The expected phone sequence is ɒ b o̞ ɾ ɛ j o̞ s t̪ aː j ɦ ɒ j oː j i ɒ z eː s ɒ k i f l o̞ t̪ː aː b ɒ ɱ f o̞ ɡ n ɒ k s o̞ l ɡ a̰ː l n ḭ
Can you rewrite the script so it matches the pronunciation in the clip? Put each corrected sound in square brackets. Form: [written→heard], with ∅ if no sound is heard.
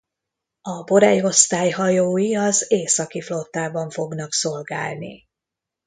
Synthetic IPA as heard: ɒ b o̞ ɾ ɛ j o̞ s t̪ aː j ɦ ɒ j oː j i ɒ z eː s ɒ k i f l o̞ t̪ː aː b ɒ ɱ f o̞ ɡ n ɒ k s o̞ l ɡ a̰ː l n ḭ

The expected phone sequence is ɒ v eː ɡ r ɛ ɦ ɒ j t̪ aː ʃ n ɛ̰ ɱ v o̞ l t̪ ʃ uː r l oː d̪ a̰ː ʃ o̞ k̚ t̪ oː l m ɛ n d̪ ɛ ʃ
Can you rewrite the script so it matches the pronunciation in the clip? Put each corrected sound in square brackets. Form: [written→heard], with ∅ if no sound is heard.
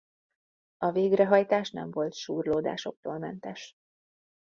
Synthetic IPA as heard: ɒ v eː ɡ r ɛ ɦ ɒ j t̪ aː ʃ n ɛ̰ ɱ v o̞ l t̪ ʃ uː r l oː d̪ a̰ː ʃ o̞ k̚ t̪ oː l m ɛ n [d̪→t̪] ɛ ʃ

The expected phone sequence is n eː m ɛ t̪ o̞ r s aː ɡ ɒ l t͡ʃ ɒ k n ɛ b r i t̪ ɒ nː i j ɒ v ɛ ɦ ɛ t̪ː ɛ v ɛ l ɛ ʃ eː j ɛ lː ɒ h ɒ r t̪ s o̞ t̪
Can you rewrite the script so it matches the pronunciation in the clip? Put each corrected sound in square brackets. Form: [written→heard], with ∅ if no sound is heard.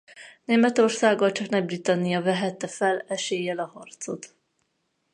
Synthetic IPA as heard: n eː m ɛ t̪ o̞ r s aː ɡ ɒ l t͡ʃ ɒ k n ɛ b r i t̪ ɒ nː i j ɒ v ɛ ɦ ɛ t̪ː ɛ [v→f] ɛ l ɛ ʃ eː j ɛ [lː→l] ɒ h ɒ r t̪ s o̞ t̪

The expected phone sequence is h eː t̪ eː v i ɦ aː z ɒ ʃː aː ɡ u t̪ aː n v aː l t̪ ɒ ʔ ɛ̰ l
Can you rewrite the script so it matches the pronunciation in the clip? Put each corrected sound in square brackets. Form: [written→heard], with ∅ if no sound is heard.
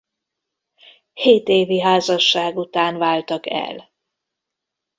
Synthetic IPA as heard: h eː t̪ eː v i ɦ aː z ɒ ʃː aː ɡ u t̪ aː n v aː l t̪ ɒ [ʔ→k] ɛ̰ l

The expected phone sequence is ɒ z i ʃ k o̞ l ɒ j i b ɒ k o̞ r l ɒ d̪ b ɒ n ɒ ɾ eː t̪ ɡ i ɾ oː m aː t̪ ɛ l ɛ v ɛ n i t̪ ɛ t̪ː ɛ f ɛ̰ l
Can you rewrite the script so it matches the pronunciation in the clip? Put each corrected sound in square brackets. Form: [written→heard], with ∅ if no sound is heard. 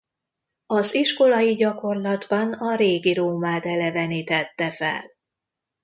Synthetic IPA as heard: ɒ z i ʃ k o̞ l ɒ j i [b→ɟ] ɒ k o̞ r l ɒ d̪ b ɒ n ɒ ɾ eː [t̪→∅] ɡ i ɾ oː m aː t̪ ɛ l ɛ v ɛ n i t̪ ɛ t̪ː ɛ f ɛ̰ l

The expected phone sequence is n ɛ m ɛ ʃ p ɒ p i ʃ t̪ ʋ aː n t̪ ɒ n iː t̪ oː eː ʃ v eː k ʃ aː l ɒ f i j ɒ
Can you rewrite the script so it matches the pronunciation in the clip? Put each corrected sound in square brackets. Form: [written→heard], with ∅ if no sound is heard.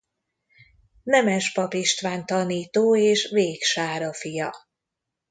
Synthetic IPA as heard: n ɛ m ɛ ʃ p ɒ p i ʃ t̪ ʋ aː n t̪ ɒ n iː t̪ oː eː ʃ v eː k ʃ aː [l→ɾ] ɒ f i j ɒ

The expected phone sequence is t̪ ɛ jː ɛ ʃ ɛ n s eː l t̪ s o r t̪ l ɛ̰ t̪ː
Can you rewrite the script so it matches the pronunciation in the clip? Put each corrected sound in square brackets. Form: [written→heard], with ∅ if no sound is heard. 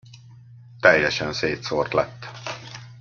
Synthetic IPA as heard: t̪ ɛ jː ɛ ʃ ɛ n s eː [l→∅] t̪ s o r t̪ l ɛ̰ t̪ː

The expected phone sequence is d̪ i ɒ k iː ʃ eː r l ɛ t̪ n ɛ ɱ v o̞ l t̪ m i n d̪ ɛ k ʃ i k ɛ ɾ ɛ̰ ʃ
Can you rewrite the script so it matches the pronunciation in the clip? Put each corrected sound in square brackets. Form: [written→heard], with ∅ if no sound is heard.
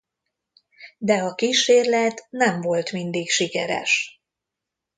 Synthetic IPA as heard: d̪ [i→ɛ] ɒ k iː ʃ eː r l ɛ t̪ n ɛ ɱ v o̞ l t̪ m i n d̪ [ɛ→i] k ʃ i k ɛ ɾ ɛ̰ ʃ

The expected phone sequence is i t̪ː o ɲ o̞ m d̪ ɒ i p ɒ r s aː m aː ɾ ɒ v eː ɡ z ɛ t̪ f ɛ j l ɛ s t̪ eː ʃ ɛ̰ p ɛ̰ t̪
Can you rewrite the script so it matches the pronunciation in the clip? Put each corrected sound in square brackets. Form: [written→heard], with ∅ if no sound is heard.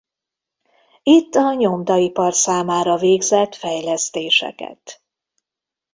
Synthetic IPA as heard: i t̪ː [o→ɒ] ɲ o̞ m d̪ ɒ i p ɒ r s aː m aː ɾ ɒ v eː ɡ z ɛ t̪ f ɛ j l ɛ s t̪ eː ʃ ɛ̰ [p→k] ɛ̰ t̪

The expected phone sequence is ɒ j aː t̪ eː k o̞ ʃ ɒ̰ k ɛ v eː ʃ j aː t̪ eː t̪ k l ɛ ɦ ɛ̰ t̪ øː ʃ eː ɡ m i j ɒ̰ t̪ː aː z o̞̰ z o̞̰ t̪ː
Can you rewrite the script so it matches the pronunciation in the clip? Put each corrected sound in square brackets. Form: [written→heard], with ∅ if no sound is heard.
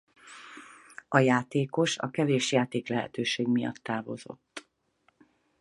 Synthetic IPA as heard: ɒ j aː t̪ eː k o̞ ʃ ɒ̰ k ɛ v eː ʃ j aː t̪ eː [t̪→∅] k l ɛ ɦ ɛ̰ t̪ øː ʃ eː ɡ m i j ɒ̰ t̪ː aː [z→v] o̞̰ z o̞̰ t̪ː

